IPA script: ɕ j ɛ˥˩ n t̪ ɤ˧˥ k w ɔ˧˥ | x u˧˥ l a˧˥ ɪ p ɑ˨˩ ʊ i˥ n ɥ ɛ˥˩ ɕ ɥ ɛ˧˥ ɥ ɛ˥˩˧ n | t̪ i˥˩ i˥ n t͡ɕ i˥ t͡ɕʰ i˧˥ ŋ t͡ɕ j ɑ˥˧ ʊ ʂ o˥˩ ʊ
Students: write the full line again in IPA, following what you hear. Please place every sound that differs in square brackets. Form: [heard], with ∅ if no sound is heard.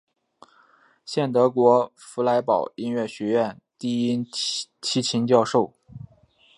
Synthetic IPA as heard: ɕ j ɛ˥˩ n t̪ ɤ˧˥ k w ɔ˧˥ | [f] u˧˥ l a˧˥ ɪ p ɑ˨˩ ʊ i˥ n ɥ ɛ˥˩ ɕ ɥ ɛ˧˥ ɥ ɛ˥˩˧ n | t̪ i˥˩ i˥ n [t͡ɕʰ] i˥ t͡ɕʰ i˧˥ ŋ t͡ɕ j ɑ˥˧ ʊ ʂ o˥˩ ʊ

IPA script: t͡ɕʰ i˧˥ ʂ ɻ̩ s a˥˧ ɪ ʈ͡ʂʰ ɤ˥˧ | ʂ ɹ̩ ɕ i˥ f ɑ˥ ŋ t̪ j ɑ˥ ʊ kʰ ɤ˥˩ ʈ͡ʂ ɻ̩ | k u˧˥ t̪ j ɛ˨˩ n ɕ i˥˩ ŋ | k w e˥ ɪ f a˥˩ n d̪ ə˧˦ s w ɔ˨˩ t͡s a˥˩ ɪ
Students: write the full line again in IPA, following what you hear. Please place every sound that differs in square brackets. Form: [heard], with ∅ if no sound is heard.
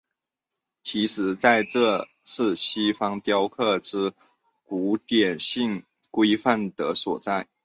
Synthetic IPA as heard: t͡ɕʰ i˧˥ ʂ ɻ̩ [t͡s] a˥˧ ɪ [ʈ͡ʂ] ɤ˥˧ | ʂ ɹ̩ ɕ i˥ f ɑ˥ ŋ t̪ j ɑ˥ ʊ kʰ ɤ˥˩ ʈ͡ʂ ɻ̩ | k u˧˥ t̪ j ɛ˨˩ n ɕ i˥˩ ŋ | k w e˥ ɪ f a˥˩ n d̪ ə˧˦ s w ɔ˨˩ t͡s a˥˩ ɪ

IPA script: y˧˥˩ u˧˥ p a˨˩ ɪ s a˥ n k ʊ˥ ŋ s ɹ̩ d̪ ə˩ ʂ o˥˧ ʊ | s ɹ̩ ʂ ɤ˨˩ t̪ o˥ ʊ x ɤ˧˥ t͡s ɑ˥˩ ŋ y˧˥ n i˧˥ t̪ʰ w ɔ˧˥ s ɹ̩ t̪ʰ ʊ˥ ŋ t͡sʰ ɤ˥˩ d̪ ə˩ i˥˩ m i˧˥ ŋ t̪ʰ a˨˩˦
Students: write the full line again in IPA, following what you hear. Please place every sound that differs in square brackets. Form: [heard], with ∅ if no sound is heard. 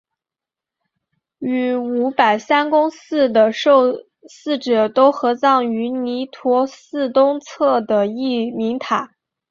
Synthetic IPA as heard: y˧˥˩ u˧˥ p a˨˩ ɪ s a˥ n k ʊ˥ ŋ s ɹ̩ d̪ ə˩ ʂ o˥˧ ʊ | s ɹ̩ [ʈ͡ʂ] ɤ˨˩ t̪ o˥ ʊ x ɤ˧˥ t͡s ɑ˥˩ ŋ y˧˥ n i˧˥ t̪ʰ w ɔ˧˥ s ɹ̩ [t̪] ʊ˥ ŋ t͡sʰ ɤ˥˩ d̪ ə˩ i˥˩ m i˧˥ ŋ t̪ʰ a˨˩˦

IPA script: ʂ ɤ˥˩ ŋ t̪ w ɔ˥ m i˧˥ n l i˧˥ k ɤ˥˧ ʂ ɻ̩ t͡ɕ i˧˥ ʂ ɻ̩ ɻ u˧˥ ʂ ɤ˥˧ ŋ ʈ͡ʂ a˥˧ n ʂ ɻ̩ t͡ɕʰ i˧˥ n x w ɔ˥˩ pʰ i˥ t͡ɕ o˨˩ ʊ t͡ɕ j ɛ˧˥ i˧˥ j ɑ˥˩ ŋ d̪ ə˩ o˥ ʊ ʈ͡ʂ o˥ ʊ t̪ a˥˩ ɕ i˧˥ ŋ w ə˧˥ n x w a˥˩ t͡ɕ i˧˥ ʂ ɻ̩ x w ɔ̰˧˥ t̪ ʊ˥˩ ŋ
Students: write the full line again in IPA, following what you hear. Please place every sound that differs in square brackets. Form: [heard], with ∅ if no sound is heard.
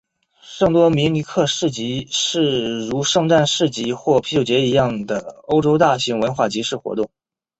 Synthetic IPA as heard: ʂ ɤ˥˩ ŋ t̪ w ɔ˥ m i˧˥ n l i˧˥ [kʰ] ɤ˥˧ ʂ ɻ̩ t͡ɕ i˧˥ ʂ ɻ̩ ɻ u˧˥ ʂ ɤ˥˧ ŋ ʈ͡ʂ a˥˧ n ʂ ɻ̩ [t͡ɕ] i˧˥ [∅] x w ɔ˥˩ pʰ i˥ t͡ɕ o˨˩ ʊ t͡ɕ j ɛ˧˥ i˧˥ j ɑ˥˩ ŋ d̪ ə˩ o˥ ʊ ʈ͡ʂ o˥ ʊ t̪ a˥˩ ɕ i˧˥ ŋ w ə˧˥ n x w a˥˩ t͡ɕ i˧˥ ʂ ɻ̩ x w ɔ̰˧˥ t̪ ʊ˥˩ ŋ

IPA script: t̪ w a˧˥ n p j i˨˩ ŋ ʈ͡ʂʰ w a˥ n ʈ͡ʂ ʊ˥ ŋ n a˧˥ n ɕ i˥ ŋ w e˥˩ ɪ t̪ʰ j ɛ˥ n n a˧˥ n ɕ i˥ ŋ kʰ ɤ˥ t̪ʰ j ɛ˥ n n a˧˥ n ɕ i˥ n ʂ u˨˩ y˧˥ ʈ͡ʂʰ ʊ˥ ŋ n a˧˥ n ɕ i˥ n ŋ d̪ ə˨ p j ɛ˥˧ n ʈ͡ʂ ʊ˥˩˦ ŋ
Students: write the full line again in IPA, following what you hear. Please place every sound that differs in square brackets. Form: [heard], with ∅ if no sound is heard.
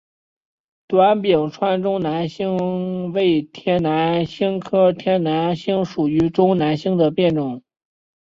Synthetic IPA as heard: t̪ w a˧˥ n p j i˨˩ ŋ ʈ͡ʂʰ w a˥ n ʈ͡ʂ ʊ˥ ŋ n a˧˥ n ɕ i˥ ŋ w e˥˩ ɪ t̪ʰ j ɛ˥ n n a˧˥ n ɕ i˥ ŋ kʰ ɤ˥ t̪ʰ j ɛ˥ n n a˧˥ n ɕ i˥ [ŋ] ʂ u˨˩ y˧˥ [ʈ͡ʂ] ʊ˥ ŋ n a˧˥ n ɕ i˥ [∅] ŋ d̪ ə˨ p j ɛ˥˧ n ʈ͡ʂ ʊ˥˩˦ ŋ

